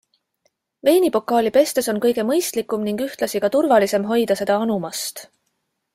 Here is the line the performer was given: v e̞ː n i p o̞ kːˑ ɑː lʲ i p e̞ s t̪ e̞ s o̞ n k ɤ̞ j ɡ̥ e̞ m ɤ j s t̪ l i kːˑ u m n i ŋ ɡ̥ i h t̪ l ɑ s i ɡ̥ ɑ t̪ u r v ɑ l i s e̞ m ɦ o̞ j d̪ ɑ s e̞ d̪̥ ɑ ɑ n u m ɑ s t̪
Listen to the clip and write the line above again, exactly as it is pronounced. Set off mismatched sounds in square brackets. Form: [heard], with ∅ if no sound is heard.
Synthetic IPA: v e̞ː n i p o̞ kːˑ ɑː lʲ i p e̞ s t̪ e̞ s o̞ n k ɤ̞ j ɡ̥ e̞ m ɤ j s t̪ l i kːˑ u m n i ŋ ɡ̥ [y] h t̪ l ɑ s i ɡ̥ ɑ t̪ u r v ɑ l i s e̞ m ɦ o̞ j d̪ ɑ s e̞ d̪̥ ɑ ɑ n u m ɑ s t̪